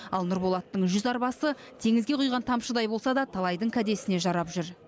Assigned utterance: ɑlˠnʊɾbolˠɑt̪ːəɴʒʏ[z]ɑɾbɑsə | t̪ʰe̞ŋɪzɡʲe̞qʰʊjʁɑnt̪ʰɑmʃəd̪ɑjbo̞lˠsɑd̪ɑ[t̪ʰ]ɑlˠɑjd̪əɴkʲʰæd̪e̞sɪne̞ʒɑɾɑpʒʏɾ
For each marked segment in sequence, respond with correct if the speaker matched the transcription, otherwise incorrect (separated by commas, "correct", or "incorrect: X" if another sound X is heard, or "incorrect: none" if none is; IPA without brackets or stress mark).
correct, correct